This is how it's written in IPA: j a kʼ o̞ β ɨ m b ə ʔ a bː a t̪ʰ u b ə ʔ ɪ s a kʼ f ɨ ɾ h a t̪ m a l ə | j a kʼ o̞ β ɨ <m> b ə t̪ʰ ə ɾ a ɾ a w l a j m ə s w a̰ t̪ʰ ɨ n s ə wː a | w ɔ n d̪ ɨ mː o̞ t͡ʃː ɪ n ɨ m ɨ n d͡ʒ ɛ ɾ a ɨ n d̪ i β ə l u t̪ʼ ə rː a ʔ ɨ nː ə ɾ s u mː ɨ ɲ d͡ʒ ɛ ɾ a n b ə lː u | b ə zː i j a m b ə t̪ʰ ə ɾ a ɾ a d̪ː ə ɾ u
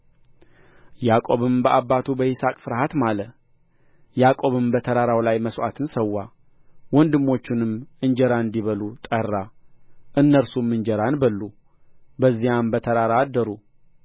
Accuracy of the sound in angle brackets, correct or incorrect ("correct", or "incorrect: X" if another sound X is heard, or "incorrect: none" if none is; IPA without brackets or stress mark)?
correct